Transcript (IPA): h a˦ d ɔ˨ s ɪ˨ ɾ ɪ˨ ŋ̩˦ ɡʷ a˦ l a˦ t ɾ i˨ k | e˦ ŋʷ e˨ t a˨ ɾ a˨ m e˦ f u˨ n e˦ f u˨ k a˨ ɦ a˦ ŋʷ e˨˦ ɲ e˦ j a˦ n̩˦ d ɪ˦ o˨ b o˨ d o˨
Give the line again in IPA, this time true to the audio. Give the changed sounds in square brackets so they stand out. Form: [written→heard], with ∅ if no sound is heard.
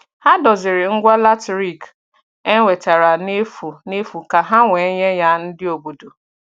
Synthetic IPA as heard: h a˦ d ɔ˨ [s→z] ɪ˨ ɾ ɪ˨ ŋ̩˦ ɡʷ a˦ l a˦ t ɾ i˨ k | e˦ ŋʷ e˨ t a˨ ɾ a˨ [m→n] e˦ f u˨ n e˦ f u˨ k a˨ ɦ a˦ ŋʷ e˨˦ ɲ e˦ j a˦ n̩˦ d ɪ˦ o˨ b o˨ d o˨